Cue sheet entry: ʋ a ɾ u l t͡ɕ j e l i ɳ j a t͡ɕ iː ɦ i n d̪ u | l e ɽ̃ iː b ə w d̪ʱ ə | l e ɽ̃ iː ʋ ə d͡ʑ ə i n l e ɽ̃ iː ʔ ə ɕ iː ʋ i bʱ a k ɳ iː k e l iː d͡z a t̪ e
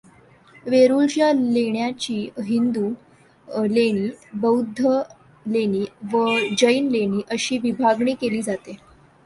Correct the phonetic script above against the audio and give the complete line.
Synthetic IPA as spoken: ʋ e ɾ u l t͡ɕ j a l e ɳ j a t͡ɕ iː ɦ i n d̪ u | l e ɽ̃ iː b ə w d̪ʱ ə | l e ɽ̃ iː ʋ ə d͡ʑ ə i n l e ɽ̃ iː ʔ ə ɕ iː ʋ i bʱ a ɡ ɳ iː k e l iː d͡z a t̪ e